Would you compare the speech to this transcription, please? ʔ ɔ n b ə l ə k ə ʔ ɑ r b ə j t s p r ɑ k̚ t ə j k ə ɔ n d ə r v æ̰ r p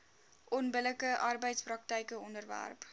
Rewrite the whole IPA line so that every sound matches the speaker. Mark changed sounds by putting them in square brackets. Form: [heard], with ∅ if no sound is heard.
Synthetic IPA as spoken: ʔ ɔ n b ə l ə k ə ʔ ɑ r b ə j t s p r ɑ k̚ t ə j k ə ɔ n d ə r v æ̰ r p